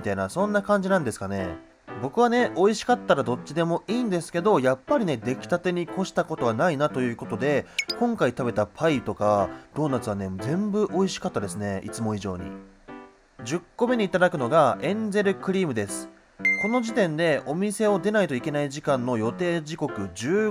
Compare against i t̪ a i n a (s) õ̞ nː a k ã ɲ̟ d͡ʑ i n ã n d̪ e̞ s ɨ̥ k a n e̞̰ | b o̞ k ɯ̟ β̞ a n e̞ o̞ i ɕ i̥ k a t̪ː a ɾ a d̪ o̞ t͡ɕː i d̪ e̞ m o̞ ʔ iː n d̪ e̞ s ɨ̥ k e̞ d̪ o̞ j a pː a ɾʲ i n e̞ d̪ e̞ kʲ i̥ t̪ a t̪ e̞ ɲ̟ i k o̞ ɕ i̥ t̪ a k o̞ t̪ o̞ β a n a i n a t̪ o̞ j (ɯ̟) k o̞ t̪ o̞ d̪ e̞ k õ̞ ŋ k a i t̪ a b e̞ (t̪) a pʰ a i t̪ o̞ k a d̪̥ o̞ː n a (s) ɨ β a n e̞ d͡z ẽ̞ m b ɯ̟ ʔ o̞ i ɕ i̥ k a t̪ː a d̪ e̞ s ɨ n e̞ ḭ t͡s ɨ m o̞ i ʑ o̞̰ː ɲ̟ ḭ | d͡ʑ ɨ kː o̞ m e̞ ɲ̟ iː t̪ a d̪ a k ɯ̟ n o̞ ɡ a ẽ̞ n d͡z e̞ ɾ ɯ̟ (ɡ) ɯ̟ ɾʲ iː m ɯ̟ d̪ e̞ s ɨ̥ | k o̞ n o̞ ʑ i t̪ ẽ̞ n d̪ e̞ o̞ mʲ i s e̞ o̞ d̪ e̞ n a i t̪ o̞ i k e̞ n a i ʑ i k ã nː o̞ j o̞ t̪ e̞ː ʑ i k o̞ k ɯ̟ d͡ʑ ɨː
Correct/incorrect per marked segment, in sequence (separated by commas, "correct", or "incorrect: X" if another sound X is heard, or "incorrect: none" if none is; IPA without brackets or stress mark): correct, incorrect: ɯ̟ː, correct, incorrect: t͡s, incorrect: k